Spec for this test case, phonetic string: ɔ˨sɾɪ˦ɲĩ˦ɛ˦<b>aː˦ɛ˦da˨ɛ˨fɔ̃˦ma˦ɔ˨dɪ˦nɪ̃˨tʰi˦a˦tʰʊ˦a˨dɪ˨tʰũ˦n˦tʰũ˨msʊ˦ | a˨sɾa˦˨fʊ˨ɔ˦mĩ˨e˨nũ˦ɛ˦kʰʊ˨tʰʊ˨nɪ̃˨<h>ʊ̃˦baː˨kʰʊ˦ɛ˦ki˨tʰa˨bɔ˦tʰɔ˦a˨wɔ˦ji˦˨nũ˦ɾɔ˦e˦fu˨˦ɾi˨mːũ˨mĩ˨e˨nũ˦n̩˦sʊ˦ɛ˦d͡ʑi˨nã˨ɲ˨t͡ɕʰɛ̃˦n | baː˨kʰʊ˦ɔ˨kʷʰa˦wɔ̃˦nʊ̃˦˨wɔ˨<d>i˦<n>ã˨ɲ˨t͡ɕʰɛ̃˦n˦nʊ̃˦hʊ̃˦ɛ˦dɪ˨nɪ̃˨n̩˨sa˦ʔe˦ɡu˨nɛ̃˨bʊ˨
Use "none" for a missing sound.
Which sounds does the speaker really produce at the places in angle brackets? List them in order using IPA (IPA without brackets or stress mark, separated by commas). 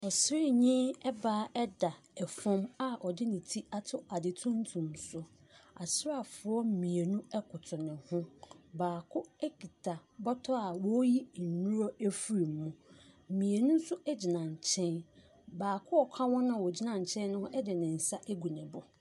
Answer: b, h, d͡ʑ, n